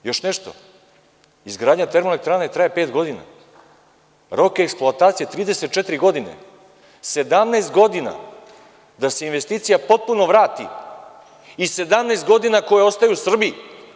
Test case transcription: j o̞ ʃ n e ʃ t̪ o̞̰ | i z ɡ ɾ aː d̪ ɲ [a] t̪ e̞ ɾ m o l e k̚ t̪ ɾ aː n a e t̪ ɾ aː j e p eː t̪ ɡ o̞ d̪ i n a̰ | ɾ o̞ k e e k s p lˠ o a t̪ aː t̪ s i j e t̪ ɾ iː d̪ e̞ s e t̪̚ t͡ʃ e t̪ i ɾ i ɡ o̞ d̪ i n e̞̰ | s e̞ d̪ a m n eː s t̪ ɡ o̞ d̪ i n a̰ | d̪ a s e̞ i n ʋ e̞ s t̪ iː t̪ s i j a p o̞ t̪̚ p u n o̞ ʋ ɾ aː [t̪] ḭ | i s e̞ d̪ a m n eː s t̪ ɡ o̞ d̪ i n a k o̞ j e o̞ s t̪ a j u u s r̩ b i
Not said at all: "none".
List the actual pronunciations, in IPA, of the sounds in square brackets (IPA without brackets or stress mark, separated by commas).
a, t̪